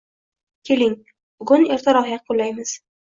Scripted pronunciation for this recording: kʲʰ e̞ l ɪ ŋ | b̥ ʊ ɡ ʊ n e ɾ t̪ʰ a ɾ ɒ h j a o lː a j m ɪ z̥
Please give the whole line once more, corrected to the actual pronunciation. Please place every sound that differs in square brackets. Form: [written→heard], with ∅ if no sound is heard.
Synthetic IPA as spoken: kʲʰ e̞ l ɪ ŋ | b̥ ʊ ɡ ʊ n e ɾ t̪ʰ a ɾ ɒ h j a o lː a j m ɪ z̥